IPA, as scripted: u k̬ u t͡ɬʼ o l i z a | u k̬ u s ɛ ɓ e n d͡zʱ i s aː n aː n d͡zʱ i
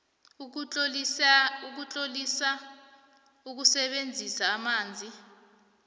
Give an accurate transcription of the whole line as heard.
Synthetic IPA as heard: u k̬ u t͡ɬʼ o l i s a | u k̬ u s ɛ ɓ e n d͡zʱ i s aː m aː n d͡zʱ i

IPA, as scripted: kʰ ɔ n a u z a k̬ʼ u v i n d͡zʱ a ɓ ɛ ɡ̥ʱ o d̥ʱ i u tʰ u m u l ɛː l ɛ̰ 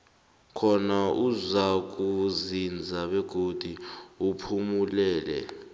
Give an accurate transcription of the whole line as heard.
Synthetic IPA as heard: kʰ ɔ n a u z a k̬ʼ u z i n d͡zʱ a ɓ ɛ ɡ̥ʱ o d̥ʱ i u pʰ u m u l ɛː l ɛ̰

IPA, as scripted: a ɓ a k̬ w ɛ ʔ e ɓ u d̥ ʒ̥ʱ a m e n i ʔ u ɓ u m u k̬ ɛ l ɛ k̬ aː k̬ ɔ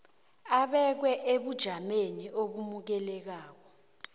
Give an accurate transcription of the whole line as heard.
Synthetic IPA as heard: a ɓ ɛ k̬ w ɛ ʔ e ɓ u d̥ ʒ̥ʱ a m e n i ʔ o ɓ u m u k̬ ɛ l ɛ k̬ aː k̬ ɔ

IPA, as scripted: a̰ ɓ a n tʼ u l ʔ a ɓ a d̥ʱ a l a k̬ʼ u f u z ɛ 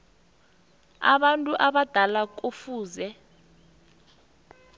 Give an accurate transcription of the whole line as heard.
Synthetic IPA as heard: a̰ ɓ a n tʼ u ʔ a ɓ a d̥ʱ a l a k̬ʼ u f uː z ɛ

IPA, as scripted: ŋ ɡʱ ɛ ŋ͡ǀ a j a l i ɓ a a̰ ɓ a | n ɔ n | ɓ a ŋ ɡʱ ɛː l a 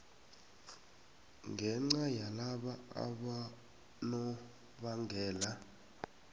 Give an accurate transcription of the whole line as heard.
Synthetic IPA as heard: ŋ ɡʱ ɛ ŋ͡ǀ a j a l a ɓ a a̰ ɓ a | n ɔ | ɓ a ŋ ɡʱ ɛː l a

